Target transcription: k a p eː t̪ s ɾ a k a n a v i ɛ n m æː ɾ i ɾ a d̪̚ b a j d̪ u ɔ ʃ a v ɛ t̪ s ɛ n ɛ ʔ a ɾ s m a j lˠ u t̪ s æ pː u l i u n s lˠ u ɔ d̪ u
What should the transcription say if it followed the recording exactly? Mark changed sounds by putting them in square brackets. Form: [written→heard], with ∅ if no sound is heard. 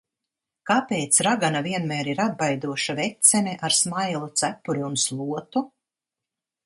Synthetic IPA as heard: k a p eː t̪ s ɾ a [k→ɡ] a n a v i ɛ n m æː ɾ i ɾ a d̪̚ b a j d̪ u ɔ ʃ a v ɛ t̪ s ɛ n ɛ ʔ a ɾ s m a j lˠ u t̪ s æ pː u [l→ɾ] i u n s lˠ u ɔ [d̪→t̪] u